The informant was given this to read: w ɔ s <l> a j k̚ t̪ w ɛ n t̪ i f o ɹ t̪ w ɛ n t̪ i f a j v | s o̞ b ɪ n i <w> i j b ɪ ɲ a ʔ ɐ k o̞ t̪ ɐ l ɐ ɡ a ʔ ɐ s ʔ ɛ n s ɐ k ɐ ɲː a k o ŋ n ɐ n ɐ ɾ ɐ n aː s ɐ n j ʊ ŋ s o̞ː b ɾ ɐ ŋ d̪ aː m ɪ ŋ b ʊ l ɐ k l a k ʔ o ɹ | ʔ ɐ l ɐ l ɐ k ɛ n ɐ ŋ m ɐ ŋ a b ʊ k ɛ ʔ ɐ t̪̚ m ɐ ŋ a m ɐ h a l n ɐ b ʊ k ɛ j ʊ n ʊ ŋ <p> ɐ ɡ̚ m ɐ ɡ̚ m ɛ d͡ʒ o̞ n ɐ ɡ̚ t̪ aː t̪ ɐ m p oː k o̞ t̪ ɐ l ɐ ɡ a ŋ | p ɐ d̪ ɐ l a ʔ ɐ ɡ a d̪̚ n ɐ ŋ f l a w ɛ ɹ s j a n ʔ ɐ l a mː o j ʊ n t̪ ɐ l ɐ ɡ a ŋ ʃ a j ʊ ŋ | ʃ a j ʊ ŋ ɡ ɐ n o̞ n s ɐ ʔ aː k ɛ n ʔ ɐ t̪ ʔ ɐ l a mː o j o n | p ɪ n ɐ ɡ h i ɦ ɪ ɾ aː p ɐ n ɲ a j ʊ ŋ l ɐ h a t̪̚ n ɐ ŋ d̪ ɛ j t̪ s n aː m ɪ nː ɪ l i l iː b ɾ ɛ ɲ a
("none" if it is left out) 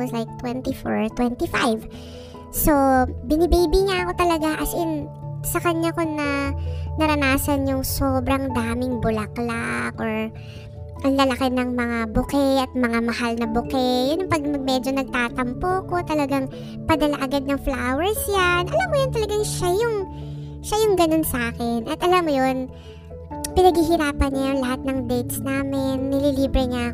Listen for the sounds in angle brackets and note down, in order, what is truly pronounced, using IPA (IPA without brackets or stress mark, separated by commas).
l, b, p